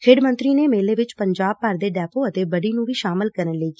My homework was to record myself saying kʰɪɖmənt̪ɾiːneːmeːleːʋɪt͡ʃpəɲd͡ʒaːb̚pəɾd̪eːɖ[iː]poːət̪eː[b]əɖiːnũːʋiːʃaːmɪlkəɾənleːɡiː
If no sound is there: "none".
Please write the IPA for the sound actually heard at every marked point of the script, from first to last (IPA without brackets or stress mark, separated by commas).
ɛː, b